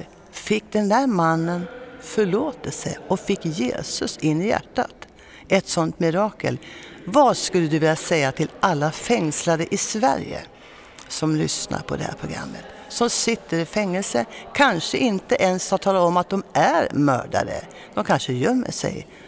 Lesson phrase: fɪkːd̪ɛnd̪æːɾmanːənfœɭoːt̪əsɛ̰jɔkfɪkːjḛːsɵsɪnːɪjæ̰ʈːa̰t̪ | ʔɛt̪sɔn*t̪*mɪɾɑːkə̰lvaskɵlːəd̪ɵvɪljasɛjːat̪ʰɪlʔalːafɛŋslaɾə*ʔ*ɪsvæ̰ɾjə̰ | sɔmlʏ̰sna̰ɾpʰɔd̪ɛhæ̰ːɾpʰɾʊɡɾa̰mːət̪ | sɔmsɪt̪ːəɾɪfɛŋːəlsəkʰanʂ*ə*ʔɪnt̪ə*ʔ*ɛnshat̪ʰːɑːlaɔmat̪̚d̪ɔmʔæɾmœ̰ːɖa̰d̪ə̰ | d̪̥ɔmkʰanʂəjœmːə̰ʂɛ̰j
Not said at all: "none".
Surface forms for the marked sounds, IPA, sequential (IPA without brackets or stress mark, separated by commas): t̪, ʔ, ə, ʔ